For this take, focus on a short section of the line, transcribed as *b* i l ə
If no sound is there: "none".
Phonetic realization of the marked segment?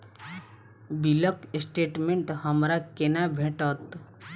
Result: b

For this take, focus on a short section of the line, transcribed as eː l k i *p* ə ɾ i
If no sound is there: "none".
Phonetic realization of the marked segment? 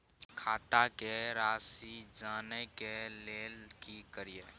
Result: k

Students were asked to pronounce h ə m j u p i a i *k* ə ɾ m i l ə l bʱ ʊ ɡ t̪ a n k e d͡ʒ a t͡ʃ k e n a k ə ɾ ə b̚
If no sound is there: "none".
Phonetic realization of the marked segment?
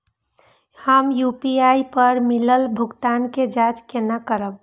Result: p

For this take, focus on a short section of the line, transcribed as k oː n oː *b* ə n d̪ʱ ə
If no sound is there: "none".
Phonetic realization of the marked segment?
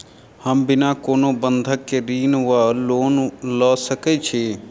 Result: b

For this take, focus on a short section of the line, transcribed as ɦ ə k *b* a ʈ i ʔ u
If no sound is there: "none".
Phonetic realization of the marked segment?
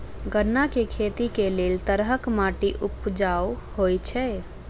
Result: m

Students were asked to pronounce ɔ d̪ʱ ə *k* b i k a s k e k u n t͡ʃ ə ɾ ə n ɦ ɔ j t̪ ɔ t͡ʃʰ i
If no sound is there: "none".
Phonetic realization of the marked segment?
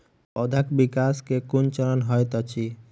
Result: k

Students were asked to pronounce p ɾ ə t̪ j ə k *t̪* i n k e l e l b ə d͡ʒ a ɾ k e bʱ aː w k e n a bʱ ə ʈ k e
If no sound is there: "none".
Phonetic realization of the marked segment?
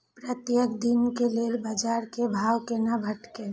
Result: d̪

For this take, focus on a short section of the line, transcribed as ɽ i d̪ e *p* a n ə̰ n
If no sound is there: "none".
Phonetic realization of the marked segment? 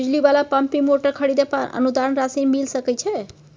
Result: p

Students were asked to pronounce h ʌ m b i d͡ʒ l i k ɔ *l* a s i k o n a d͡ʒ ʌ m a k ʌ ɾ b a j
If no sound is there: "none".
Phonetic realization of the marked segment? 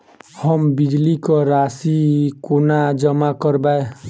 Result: ɾ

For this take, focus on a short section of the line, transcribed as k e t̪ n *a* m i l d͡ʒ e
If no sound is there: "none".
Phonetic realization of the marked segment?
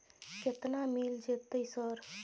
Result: a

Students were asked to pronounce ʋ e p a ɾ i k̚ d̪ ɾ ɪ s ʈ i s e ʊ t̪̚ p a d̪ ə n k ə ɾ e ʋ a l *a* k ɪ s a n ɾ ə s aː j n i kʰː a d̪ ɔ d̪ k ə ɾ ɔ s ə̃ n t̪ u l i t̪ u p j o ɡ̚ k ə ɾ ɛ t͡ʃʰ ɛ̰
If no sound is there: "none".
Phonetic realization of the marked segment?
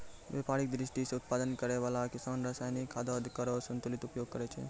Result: a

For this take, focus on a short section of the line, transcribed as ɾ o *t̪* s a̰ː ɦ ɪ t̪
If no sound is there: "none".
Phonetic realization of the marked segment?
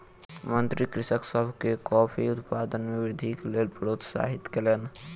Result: t̪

